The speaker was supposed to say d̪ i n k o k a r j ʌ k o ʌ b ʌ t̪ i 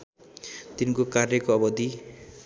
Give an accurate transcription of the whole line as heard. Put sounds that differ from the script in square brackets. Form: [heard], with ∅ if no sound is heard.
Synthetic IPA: [t̪] i n k o k a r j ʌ k o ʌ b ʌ [d̪] i